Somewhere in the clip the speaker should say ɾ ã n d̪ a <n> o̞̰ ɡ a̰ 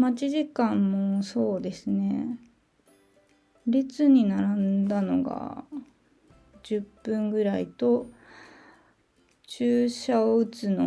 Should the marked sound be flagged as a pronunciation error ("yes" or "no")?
no